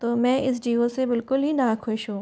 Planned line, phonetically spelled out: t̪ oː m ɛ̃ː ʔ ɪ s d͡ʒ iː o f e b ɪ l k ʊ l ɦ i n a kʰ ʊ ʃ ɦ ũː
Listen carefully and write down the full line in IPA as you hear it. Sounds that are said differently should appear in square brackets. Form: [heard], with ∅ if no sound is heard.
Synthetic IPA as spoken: t̪ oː m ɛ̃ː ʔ ɪ s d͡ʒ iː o [s] e b ɪ l k ʊ l ɦ i n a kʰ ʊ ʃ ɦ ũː